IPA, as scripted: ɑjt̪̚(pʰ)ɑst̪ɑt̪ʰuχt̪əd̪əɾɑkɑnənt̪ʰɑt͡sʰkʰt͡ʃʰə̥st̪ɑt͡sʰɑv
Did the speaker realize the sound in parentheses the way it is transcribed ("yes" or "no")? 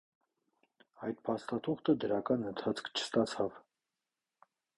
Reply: yes